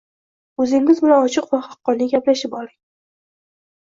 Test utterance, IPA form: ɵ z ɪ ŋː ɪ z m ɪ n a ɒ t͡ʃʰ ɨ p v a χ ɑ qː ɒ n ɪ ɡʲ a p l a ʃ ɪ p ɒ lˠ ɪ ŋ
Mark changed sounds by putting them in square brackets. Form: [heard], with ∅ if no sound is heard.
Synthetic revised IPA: ɵ z ɪ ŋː ɪ z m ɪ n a ɒ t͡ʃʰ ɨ [q] v a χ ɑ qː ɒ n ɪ ɡʲ a p l a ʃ ɪ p ɒ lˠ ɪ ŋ

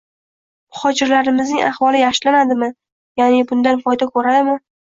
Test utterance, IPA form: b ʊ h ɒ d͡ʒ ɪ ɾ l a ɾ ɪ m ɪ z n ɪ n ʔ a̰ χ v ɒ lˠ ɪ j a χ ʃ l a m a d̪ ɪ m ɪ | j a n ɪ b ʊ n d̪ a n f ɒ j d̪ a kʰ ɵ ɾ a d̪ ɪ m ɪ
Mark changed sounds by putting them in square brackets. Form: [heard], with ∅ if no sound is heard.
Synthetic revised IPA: [m] ʊ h ɒ d͡ʒ ɪ ɾ l a ɾ ɪ m ɪ z n ɪ [ŋ] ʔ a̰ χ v ɒ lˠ ɪ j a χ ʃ l a [n] a d̪ ɪ m ɪ | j a n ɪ b ʊ n d̪ a n f ɒ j d̪ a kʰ ɵ ɾ a d̪ ɪ m ɪ

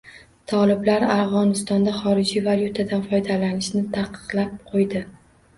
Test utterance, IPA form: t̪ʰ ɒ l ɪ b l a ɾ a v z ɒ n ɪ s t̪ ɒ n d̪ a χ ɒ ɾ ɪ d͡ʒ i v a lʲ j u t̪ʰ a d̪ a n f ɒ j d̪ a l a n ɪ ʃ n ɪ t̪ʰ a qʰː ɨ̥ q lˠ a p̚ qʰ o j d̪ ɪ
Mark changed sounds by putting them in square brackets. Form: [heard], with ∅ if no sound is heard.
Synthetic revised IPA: t̪ʰ ɒ l ɪ b l a ɾ a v [ʁ] ɒ n ɪ s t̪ ɒ n d̪ a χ ɒ ɾ ɪ d͡ʒ i v a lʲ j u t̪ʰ a d̪ a n f ɒ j d̪ a l a n ɪ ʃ n ɪ t̪ʰ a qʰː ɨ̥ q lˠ a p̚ qʰ o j d̪ ɪ

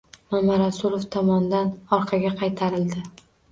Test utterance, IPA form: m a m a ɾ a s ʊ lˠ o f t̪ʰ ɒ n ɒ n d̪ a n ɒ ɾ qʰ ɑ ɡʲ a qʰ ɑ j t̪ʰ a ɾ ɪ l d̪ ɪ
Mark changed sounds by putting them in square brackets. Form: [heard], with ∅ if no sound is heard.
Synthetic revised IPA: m a m a ɾ a s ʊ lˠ o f t̪ʰ ɒ [m] ɒ n d̪ a n ɒ ɾ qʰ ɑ ɡʲ a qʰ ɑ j t̪ʰ a ɾ ɪ l d̪ ɪ

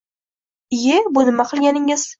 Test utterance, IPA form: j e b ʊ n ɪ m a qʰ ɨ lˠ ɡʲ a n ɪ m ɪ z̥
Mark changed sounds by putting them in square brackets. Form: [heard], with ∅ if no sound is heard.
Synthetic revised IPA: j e b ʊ n ɪ m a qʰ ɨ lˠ ɡʲ a n ɪ [ŋ] ɪ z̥

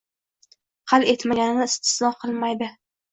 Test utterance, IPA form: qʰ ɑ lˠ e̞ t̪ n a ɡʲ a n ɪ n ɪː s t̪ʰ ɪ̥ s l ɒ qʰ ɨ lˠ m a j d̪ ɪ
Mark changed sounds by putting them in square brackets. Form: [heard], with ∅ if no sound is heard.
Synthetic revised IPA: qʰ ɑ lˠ e̞ t̪ [m] a ɡʲ a n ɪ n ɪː s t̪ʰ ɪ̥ s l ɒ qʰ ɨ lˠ m a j d̪ ɪ

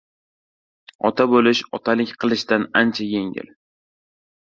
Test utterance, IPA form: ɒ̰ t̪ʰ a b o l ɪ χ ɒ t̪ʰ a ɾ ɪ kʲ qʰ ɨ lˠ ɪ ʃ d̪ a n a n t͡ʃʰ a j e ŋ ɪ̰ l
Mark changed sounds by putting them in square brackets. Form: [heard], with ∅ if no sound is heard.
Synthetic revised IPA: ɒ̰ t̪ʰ a b o l ɪ [ʃ] ɒ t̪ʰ a [l] ɪ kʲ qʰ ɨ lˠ ɪ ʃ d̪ a n a n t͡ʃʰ a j e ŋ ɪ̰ l

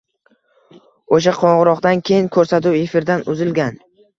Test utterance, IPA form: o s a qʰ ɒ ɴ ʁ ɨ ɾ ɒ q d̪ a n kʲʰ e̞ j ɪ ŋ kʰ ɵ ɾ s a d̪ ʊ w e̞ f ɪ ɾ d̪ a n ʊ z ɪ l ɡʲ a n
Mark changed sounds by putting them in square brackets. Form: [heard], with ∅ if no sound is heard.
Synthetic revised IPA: o [ʃ] a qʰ ɒ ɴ ʁ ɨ ɾ ɒ q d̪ a n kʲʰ e̞ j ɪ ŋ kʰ ɵ ɾ s a [t̪] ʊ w e̞ f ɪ ɾ d̪ a n ʊ z ɪ l ɡʲ a n

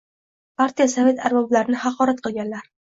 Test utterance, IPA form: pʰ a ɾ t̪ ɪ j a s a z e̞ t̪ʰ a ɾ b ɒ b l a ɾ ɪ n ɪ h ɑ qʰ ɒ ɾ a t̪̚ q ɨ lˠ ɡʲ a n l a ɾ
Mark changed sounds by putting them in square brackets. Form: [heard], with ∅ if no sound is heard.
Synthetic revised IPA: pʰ a ɾ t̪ [i] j a s a [v] e̞ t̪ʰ a ɾ b ɒ b l a ɾ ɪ n ɪ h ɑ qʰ ɒ ɾ a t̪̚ q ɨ lˠ ɡʲ a n l a ɾ

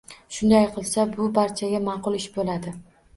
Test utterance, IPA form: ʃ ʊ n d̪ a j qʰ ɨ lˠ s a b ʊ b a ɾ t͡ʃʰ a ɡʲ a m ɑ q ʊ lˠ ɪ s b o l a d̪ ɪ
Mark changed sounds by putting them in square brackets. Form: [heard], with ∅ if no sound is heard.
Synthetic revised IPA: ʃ ʊ n d̪ a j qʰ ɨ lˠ s a b ʊ b a ɾ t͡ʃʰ a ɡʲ a m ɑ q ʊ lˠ ɪ [ʃ] b o l a d̪ ɪ

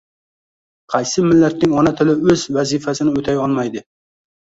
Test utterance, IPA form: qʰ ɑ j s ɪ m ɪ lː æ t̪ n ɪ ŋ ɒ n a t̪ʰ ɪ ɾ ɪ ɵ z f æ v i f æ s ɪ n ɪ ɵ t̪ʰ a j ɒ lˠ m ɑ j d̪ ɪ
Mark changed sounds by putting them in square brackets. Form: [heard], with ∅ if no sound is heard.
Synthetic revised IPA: qʰ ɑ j s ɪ m ɪ lː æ t̪ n ɪ ŋ ɒ n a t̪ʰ ɪ [l] ɪ ɵ z [v] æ [z] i f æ s ɪ n ɪ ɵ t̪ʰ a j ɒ lˠ m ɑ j d̪ ɪ

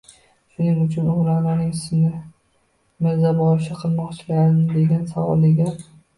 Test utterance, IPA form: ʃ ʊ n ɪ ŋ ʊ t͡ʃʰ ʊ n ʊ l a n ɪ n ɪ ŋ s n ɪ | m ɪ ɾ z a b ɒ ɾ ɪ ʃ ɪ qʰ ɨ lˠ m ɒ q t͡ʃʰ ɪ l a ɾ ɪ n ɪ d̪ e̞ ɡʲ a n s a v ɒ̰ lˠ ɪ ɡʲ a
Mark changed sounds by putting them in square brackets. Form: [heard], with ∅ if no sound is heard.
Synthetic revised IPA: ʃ ʊ n ɪ ŋ ʊ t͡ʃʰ ʊ n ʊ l a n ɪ n ɪ ŋ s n ɪ | m ɪ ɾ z a b ɒ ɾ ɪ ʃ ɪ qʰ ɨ lˠ m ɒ q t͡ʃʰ ɪ l a ɾ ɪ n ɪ d̪ e̞ ɡʲ a n s a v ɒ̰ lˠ ɪ ɡʲ a

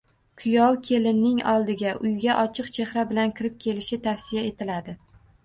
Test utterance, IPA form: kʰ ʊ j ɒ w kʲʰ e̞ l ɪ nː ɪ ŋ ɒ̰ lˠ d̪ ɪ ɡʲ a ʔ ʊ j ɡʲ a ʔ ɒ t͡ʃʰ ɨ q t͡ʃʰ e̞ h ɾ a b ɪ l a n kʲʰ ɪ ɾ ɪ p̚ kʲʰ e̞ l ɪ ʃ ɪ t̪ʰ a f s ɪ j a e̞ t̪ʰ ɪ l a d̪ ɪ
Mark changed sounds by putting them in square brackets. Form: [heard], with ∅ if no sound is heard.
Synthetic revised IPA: kʰ ʊ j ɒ w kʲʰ e̞ l ɪ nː ɪ ŋ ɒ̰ lˠ d̪ ɪ ɡʲ a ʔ ʊ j ɡʲ a ʔ ɒ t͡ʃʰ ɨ q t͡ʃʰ e̞ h ɾ a b ɪ l a n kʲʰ ɪ ɾ ɪ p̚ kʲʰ e̞ l ɪ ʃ ɪ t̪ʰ a f s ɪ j a e̞ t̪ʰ ɪ l a d̪ ɪ

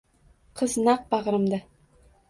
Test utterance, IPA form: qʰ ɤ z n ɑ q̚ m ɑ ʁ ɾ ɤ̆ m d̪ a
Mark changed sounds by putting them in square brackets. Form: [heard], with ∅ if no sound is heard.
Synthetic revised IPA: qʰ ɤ z n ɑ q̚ [b] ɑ ʁ ɾ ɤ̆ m d̪ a

